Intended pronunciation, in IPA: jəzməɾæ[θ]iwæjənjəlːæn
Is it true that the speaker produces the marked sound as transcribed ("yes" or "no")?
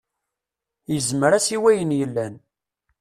no